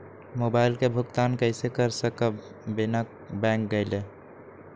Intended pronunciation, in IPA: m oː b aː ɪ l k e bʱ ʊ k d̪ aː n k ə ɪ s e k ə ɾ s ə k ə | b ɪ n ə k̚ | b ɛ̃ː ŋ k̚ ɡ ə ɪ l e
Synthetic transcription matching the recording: m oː b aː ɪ l k e bʱ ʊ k t̪ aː n k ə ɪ s e k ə ɾ s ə k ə | b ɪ n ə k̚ | b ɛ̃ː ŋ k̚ ɡ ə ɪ l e